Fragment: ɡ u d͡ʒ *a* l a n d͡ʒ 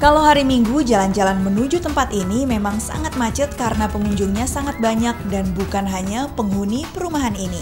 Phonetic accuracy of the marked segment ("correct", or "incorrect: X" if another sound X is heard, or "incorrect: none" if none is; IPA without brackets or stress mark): correct